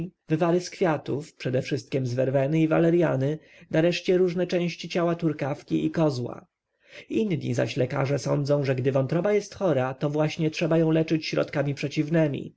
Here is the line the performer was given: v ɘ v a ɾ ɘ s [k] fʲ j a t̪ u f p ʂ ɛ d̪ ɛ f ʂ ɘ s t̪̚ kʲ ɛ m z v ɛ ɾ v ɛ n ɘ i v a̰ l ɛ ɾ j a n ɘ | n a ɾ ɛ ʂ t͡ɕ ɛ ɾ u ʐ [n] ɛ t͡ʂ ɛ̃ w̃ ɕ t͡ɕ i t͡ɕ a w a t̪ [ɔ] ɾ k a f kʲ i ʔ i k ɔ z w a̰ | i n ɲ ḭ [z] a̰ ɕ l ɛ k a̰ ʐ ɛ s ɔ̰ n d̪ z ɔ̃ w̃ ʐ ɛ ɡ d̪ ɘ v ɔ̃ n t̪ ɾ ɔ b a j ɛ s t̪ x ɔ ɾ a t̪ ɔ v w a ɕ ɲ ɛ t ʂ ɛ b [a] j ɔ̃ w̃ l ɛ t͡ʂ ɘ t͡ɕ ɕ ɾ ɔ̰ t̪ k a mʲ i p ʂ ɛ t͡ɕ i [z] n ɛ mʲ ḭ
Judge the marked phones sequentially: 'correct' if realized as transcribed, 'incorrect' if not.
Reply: correct, correct, incorrect: u, correct, correct, incorrect: v

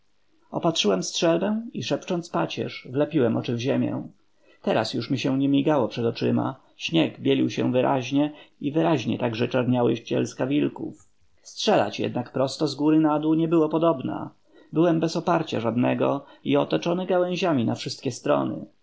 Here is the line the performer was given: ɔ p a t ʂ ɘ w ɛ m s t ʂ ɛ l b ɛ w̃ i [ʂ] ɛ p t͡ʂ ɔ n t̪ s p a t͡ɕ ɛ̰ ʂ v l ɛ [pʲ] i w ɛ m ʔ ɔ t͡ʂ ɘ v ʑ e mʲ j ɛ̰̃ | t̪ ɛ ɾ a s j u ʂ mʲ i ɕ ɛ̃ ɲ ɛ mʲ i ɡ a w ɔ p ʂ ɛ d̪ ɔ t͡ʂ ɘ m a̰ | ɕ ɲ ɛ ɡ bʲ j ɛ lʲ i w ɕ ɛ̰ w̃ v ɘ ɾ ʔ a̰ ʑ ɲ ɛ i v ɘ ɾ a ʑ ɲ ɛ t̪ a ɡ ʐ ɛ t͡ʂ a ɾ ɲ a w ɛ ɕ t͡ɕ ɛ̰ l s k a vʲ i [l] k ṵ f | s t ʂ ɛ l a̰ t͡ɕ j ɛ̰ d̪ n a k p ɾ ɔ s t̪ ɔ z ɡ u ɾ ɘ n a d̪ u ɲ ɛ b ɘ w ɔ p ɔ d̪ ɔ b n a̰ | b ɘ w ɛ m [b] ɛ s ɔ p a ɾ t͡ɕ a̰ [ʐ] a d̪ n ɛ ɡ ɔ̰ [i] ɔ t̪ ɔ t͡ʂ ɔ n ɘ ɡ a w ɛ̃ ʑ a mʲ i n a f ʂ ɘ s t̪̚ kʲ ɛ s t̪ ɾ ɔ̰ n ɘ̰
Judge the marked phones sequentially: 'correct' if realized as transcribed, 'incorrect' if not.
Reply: correct, correct, correct, correct, correct, correct

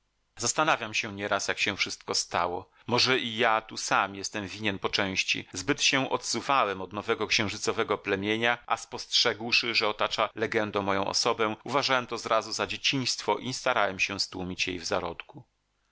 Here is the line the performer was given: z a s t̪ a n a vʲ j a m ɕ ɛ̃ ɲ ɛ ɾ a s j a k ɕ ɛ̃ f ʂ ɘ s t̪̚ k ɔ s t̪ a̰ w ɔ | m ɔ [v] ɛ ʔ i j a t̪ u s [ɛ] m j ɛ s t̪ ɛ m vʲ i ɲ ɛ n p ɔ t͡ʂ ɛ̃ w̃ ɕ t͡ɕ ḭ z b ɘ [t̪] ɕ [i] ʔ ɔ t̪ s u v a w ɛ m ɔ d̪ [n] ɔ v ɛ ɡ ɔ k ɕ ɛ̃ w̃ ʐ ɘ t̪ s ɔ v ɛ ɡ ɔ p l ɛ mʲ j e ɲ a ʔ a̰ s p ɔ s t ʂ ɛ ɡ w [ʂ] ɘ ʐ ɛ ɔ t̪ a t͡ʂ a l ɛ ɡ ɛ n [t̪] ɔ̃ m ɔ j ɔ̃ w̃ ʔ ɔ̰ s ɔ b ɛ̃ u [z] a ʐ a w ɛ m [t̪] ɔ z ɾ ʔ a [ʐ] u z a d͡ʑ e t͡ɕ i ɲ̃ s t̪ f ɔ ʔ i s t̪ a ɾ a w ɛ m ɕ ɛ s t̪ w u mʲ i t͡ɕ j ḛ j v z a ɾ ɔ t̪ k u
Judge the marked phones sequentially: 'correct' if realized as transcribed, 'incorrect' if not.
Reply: incorrect: ʐ, incorrect: a, correct, incorrect: ɛ, correct, correct, incorrect: d̪, incorrect: v, correct, incorrect: z

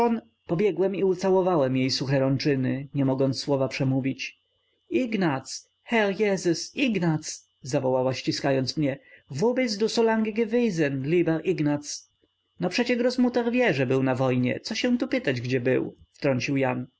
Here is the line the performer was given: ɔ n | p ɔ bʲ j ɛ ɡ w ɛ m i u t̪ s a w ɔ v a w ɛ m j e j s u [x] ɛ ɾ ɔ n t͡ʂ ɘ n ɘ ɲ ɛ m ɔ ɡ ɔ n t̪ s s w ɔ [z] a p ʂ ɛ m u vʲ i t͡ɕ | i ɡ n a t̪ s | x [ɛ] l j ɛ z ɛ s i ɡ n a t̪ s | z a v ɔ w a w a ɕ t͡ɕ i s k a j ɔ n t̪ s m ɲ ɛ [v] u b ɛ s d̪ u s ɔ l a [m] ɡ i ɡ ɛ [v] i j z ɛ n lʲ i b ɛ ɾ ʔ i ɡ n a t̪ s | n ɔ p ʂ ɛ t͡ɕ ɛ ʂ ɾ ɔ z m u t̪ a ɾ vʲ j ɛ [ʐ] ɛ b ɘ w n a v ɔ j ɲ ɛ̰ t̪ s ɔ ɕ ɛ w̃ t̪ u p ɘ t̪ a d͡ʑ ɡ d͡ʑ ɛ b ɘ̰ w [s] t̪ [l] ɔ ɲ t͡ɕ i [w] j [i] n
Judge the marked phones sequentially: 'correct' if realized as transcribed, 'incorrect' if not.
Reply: correct, incorrect: v, correct, correct, incorrect: ŋ, correct, correct, incorrect: f, incorrect: ɾ, correct, incorrect: a

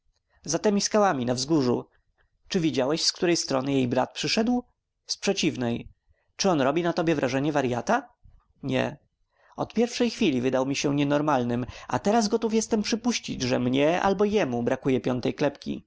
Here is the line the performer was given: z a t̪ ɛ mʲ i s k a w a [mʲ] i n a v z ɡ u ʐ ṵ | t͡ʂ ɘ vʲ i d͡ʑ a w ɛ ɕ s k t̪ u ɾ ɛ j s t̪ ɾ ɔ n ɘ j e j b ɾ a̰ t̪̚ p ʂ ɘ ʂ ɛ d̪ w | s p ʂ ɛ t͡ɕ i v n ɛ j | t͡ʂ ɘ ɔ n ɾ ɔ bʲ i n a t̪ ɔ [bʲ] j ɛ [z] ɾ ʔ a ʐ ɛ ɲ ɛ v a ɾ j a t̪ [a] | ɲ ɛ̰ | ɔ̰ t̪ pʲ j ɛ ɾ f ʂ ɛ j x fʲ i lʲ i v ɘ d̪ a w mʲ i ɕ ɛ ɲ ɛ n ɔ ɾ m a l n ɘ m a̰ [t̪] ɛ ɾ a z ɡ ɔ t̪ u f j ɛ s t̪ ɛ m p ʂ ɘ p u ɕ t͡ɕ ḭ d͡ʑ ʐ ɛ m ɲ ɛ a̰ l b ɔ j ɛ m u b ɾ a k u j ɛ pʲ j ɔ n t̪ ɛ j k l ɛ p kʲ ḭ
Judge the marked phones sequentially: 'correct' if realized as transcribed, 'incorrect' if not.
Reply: correct, correct, incorrect: v, correct, correct

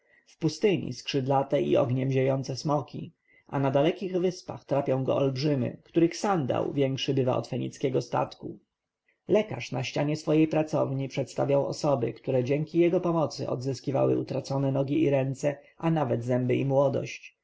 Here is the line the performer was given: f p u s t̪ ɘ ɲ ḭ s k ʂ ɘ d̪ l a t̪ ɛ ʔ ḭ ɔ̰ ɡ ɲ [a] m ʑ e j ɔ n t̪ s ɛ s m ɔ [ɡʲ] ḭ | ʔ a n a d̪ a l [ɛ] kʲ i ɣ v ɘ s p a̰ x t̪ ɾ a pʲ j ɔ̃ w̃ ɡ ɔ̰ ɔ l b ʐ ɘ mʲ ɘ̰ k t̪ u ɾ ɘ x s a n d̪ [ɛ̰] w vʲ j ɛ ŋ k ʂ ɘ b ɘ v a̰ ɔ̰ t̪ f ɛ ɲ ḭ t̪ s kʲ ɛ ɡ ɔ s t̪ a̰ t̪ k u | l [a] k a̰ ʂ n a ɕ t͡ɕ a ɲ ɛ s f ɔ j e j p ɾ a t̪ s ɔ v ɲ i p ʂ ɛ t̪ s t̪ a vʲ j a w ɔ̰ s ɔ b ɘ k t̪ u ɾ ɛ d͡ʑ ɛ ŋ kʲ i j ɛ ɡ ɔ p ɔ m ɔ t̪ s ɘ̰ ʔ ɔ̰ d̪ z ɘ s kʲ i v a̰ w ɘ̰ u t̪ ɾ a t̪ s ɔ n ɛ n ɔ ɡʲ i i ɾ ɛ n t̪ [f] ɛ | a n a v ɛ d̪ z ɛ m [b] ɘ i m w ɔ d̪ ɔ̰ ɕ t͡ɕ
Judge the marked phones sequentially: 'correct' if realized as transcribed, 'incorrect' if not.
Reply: incorrect: ɛ, incorrect: kʲ, correct, incorrect: a̰, incorrect: ɛ, incorrect: s, correct

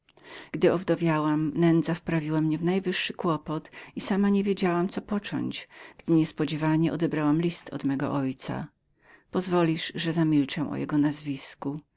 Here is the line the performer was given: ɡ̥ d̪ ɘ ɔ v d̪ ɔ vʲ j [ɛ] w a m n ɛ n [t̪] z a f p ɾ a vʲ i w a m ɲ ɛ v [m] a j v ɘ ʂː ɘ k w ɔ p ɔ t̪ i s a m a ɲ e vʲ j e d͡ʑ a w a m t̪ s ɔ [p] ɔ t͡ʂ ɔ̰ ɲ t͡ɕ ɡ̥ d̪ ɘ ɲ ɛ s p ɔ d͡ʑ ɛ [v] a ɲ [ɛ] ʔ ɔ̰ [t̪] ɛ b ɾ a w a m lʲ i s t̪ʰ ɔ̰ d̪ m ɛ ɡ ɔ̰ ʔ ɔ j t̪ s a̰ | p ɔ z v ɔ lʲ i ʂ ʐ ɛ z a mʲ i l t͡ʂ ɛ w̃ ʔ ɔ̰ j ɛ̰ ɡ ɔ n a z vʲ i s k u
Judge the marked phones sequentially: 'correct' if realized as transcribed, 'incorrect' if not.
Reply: incorrect: a, incorrect: d̪, incorrect: n, correct, correct, correct, incorrect: d̪

